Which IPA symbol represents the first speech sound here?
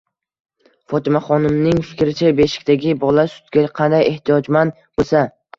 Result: f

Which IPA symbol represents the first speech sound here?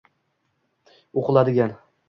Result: o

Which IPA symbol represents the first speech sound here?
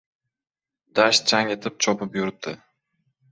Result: d̪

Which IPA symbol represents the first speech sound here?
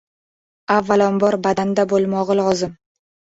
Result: a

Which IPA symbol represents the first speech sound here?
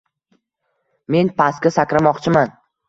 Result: m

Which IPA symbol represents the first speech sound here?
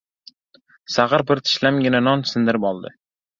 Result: s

